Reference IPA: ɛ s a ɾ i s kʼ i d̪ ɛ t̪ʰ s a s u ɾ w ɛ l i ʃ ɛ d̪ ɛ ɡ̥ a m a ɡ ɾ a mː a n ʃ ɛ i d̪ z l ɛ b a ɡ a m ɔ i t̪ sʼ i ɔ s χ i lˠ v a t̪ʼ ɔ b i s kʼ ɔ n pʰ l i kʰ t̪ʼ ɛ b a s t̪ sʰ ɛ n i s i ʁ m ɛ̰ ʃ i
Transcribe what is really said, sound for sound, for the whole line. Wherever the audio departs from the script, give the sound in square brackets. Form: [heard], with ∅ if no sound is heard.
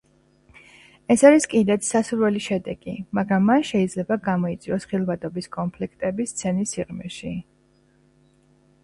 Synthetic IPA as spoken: ɛ s a ɾ i s kʼ i d̪ ɛ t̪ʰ s a s u ɾ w ɛ l i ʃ ɛ d̪ ɛ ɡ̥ [i] m a ɡ ɾ a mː a n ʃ ɛ i d̪ z l ɛ b a ɡ a m ɔ i t̪ sʼ i ɔ s χ i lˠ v a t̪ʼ ɔ b i s kʼ ɔ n pʰ l i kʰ t̪ʼ ɛ b [i] s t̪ sʰ ɛ n i s i ʁ m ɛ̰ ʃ i

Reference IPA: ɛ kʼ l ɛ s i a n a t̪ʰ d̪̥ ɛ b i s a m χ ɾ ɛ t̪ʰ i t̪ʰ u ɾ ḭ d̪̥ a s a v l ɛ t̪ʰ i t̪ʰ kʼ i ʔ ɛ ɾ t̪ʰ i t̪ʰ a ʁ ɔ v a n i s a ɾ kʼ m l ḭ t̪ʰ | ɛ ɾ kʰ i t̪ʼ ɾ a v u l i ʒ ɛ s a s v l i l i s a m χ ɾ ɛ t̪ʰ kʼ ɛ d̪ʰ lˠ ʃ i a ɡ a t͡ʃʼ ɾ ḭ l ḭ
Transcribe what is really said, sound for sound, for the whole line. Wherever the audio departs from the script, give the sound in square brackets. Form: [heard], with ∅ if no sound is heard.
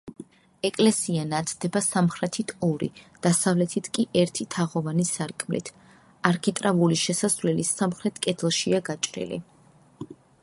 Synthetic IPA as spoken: ɛ kʼ l ɛ s i a n a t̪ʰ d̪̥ ɛ b [a] s a m χ ɾ ɛ t̪ʰ i t̪ʰ [ɔ] ɾ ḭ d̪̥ a s a v l ɛ t̪ʰ i t̪ʰ kʼ i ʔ ɛ ɾ t̪ʰ i t̪ʰ a ʁ ɔ v a n i s a ɾ kʼ m l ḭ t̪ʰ | [a] ɾ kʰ i t̪ʼ ɾ a v u l i [ʃ] ɛ s a s v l [ɛ] l i s a m χ ɾ ɛ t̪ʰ kʼ ɛ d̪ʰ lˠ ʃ i a ɡ a t͡ʃʼ ɾ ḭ l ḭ

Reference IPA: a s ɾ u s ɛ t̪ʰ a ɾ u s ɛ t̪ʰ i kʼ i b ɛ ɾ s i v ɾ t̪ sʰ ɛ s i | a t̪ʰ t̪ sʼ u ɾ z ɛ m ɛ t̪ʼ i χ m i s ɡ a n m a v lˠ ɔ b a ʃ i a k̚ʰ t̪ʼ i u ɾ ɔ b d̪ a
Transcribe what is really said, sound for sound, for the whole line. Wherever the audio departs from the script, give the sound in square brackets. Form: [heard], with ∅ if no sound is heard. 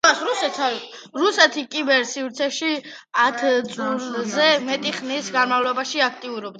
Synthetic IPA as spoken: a s ɾ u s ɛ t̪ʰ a ɾ u s ɛ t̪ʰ i kʼ i b ɛ ɾ s i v ɾ t̪ sʰ ɛ [ʃ] i | a t̪ʰ t̪ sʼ u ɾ z ɛ m ɛ t̪ʼ i χ [n] i s ɡ a n m a v lˠ ɔ b a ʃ i a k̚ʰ t̪ʼ i u ɾ ɔ b d̪ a

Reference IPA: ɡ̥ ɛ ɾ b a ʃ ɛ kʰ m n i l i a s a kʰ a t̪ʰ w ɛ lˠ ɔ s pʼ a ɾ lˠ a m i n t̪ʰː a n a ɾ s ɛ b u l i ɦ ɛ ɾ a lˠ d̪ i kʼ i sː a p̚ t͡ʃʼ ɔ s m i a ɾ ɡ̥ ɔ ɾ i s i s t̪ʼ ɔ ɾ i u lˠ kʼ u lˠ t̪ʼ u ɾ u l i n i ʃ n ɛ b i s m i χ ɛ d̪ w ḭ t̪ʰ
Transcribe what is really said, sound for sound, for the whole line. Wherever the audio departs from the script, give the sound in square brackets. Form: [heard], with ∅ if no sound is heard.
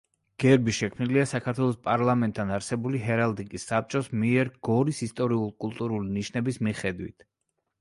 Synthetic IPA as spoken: ɡ̥ ɛ ɾ b [i] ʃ ɛ kʰ m n i l i a s a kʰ a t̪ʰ w ɛ lˠ ɔ s pʼ a ɾ lˠ a m [ɛ] n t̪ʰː a n a ɾ s ɛ b u l i ɦ ɛ ɾ a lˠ d̪ i kʼ i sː a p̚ t͡ʃʼ ɔ s m i [ɛ] ɾ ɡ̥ ɔ ɾ i s i s t̪ʼ ɔ ɾ i u lˠ kʼ u lˠ t̪ʼ u ɾ u l i n i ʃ n ɛ b i s m i χ ɛ d̪ w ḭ t̪ʰ

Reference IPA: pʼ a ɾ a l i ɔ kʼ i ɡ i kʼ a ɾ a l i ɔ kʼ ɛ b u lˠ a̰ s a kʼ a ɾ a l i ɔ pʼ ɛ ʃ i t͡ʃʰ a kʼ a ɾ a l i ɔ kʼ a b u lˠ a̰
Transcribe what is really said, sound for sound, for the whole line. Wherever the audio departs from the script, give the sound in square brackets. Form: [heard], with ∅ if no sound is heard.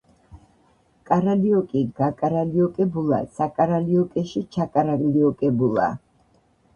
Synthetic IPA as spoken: [kʼ] a ɾ a l i ɔ kʼ i ɡ [a] kʼ a ɾ a l i ɔ kʼ ɛ b u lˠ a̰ s a kʼ a ɾ a l i ɔ [kʼ] ɛ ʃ i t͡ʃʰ a kʼ a ɾ a l i ɔ kʼ [ɛ] b u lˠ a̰

